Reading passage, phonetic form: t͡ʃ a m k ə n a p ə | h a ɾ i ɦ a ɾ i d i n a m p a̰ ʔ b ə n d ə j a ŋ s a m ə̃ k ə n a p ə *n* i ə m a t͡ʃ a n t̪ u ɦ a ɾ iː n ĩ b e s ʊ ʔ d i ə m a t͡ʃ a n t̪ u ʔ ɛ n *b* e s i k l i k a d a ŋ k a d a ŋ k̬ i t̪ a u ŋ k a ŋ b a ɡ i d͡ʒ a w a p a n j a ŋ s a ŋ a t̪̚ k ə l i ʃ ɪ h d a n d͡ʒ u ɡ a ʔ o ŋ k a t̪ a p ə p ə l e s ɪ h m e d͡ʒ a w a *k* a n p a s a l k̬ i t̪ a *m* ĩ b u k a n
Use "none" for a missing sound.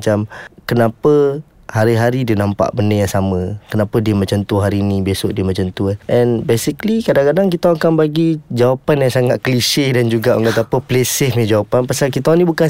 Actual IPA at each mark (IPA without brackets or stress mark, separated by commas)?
d, b, p, n